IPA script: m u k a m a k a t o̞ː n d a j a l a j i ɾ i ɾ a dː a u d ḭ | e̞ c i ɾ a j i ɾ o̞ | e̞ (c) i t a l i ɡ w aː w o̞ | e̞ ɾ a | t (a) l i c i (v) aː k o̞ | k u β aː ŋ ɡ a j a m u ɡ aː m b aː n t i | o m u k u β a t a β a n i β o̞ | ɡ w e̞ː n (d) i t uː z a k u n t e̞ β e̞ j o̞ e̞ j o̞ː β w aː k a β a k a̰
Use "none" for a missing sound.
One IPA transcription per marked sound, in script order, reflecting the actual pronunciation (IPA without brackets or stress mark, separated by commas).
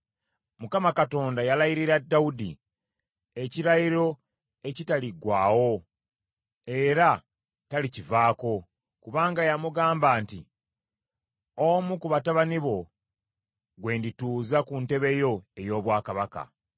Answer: c, a, v, d